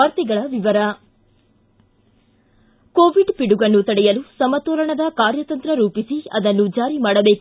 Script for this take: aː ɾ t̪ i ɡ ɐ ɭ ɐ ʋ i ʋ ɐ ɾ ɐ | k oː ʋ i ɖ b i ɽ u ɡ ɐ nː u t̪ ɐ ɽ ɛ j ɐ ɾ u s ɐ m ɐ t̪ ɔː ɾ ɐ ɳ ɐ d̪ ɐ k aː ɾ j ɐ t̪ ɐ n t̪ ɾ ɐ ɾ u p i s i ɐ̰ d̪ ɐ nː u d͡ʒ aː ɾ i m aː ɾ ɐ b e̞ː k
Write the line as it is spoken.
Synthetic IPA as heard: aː ɾ t̪ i ɡ ɐ ɭ ɐ ʋ i ʋ ɐ ɾ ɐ | k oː ʋ i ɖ p i ɽ u ɡ ɐ nː u t̪ ɐ ɽ ɛ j ɐ l u s ɐ m ɐ t̪ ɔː ɾ ɐ ɳ ɐ d̪ ɐ k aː ɾ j ɐ t̪ ɐ n t̪ ɾ ɐ ɾ uː p i s i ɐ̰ d̪ ɐ nː u d͡ʒ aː ɾ i m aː ɽ ɐ b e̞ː k